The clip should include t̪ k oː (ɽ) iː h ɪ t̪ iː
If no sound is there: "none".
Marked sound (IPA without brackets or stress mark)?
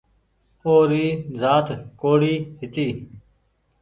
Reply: ɽ